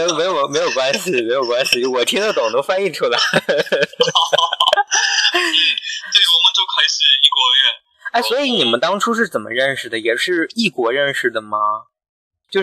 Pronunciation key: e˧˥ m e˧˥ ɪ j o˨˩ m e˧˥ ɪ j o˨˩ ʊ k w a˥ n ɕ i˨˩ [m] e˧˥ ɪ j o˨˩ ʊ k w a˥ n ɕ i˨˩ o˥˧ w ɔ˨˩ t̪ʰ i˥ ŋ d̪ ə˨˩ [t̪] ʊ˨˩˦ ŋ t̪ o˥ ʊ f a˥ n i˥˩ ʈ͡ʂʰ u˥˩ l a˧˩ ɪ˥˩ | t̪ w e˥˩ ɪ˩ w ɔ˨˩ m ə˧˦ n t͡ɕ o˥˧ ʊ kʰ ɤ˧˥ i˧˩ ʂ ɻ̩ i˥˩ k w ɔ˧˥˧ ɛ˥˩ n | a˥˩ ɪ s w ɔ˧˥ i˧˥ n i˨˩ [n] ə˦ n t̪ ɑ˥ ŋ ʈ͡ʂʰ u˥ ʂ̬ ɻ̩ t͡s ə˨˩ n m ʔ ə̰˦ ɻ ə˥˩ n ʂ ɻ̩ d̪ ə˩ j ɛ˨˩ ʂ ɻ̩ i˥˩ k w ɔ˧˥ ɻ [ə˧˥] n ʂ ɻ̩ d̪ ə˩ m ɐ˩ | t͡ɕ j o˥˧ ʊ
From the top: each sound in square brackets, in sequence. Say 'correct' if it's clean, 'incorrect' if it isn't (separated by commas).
correct, correct, incorrect, incorrect